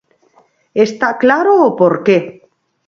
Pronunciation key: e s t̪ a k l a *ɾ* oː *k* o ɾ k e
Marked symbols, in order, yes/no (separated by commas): yes, no